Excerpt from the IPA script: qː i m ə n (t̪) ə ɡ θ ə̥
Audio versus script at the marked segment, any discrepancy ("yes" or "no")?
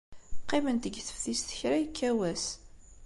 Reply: no